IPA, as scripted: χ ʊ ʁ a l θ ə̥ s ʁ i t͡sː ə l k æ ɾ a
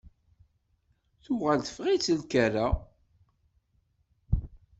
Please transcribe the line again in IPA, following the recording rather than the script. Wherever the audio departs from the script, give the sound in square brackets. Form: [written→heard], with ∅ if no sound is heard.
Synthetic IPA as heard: [χ→θ] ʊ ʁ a l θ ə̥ [s→f] ʁ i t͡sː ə l k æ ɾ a